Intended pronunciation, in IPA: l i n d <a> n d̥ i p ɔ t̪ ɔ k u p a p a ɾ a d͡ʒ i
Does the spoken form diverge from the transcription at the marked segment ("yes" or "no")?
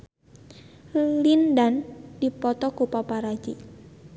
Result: no